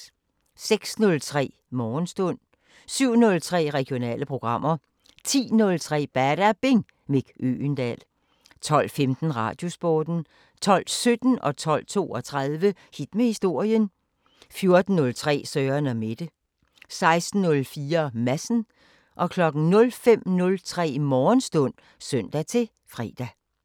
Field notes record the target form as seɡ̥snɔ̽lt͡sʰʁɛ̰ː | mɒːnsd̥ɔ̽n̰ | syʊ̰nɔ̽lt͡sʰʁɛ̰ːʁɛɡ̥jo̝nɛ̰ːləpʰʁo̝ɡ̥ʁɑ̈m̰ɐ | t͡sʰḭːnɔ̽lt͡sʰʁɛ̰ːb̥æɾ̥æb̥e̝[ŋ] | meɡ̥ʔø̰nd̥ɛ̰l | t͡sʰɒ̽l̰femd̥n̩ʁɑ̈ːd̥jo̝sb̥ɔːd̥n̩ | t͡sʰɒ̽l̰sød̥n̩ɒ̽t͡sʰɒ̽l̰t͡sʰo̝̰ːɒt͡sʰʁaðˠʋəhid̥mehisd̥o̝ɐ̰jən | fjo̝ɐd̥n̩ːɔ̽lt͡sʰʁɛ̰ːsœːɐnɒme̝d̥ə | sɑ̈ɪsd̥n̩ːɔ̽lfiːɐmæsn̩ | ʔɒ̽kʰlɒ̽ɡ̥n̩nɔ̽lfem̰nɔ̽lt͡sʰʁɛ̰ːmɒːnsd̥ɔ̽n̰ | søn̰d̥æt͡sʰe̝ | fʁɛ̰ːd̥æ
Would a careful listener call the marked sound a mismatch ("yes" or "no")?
no